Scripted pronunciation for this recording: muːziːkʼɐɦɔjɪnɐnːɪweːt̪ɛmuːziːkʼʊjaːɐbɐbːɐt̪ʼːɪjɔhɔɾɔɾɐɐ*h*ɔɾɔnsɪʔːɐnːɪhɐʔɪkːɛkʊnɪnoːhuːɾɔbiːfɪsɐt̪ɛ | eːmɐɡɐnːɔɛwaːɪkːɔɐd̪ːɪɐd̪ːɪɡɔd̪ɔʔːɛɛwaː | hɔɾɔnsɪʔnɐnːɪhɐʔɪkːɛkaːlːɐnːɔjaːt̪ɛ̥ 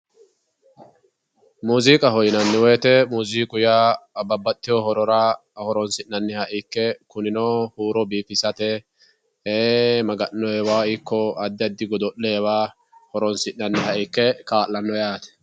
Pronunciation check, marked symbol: correct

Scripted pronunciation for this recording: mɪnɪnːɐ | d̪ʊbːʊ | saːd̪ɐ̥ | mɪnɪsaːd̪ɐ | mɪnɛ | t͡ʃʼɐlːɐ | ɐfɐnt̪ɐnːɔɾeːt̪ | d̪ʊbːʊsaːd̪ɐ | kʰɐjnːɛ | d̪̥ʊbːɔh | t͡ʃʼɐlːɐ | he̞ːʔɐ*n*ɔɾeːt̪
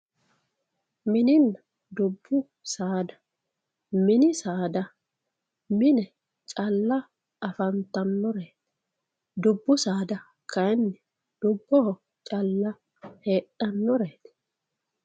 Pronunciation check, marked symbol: incorrect: nː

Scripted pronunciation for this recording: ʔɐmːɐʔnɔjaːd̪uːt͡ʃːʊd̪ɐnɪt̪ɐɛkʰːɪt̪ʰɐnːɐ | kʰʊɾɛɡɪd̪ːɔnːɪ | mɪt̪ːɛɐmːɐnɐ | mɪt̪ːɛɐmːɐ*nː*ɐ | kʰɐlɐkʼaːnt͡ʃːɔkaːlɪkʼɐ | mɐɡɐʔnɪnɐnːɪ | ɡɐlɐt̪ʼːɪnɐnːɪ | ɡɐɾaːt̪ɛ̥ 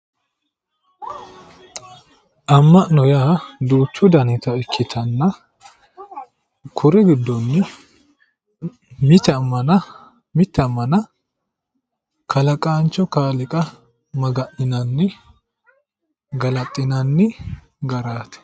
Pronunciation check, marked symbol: incorrect: n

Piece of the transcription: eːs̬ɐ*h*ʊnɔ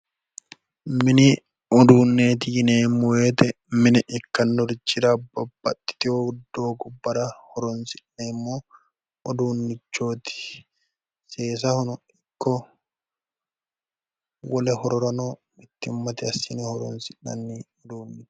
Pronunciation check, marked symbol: correct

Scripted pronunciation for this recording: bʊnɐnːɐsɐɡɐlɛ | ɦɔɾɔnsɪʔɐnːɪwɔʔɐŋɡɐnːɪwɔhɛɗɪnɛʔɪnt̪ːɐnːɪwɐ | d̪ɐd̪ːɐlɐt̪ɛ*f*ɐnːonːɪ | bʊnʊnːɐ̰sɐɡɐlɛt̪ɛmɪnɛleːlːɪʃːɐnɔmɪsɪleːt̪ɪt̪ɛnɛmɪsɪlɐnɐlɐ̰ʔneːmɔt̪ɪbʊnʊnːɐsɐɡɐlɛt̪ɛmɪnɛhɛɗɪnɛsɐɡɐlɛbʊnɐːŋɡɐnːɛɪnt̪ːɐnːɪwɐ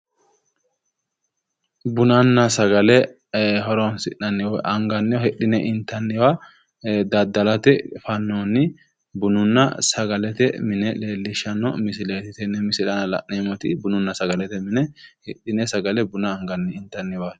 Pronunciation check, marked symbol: correct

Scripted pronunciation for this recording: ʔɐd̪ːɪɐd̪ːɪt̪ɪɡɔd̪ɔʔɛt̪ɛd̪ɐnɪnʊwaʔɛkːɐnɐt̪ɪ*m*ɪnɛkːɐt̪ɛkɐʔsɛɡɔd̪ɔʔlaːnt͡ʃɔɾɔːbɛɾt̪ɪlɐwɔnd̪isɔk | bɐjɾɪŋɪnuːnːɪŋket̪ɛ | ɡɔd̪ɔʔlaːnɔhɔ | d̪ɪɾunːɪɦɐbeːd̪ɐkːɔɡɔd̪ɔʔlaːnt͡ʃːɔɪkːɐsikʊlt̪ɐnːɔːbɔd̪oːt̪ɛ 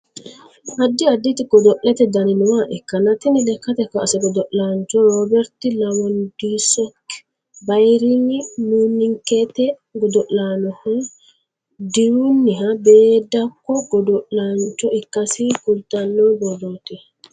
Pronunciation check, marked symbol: incorrect: n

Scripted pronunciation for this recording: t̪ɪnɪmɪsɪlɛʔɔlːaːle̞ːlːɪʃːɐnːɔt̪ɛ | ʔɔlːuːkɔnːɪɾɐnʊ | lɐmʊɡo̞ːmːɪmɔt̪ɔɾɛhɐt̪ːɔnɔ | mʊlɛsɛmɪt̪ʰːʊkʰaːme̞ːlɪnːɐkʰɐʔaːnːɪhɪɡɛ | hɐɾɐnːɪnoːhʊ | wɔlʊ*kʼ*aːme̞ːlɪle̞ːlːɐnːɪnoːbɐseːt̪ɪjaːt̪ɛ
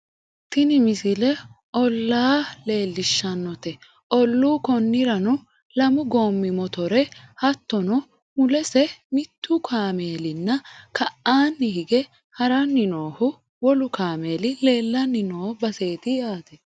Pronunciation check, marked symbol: incorrect: k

